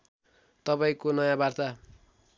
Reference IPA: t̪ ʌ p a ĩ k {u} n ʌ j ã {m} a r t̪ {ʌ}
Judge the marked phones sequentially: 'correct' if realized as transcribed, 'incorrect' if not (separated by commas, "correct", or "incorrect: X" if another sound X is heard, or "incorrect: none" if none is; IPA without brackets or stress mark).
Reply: incorrect: o, incorrect: b, incorrect: a